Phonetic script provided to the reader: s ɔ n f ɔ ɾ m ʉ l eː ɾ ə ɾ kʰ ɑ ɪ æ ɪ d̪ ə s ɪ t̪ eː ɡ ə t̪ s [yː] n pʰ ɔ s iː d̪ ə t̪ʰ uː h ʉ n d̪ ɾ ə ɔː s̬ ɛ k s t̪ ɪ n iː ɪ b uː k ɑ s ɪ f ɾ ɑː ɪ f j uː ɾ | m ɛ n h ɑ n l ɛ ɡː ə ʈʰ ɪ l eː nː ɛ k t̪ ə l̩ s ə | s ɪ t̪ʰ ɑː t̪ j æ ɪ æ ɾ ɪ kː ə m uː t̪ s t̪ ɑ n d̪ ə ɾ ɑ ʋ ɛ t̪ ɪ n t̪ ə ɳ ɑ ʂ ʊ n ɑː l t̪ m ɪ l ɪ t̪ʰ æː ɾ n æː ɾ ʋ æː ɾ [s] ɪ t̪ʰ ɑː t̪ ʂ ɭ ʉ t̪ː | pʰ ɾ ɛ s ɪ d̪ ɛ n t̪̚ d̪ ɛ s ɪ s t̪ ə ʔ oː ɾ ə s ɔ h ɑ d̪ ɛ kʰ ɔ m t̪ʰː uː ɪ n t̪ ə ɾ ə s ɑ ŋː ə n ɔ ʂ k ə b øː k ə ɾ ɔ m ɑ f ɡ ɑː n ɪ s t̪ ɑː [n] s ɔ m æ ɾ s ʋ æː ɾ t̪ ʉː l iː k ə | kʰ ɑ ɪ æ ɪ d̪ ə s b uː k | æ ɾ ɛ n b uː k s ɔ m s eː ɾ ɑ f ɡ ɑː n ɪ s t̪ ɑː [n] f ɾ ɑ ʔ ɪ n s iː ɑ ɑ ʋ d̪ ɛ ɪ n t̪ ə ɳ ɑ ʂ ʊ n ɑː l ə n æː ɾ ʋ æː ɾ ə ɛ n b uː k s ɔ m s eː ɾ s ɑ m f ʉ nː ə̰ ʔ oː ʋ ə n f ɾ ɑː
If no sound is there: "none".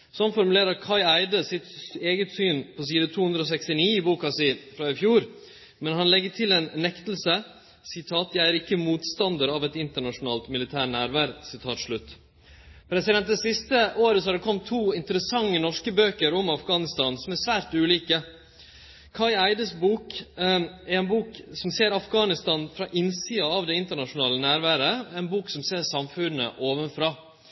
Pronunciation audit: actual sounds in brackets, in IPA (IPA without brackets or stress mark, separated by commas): yː, s, n, n